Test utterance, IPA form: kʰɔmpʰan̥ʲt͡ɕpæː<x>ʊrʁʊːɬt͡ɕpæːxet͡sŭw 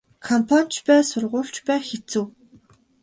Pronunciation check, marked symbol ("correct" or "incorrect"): incorrect